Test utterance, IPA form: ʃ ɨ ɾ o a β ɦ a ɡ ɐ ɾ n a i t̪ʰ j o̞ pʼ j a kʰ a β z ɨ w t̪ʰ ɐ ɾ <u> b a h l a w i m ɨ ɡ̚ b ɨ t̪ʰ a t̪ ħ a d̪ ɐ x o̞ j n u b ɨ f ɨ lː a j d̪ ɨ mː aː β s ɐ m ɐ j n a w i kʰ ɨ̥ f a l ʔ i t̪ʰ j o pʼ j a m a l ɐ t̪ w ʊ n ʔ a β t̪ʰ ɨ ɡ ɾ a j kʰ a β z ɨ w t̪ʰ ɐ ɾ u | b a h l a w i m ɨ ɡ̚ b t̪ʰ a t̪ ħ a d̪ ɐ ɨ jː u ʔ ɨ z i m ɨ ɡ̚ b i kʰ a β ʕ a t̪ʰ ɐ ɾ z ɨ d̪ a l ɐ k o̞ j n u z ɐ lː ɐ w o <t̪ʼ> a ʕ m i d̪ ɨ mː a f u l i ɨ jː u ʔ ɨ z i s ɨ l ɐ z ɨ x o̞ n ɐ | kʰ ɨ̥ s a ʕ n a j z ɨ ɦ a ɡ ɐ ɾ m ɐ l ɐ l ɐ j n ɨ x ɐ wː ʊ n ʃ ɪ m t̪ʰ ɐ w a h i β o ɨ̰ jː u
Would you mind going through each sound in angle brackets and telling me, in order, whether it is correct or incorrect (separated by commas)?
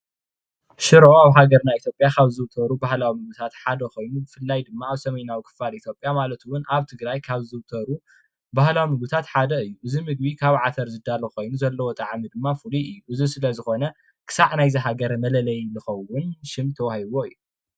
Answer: correct, correct